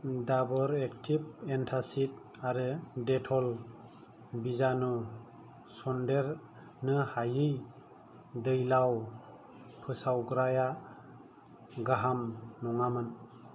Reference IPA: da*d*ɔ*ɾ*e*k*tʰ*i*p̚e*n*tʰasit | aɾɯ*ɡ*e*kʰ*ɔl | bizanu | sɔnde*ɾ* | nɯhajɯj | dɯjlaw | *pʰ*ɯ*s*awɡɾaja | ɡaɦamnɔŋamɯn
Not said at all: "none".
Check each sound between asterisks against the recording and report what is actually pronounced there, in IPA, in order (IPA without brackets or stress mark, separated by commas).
b, ɾ, k, i, n, d, tʰ, ɾ, pʰ, s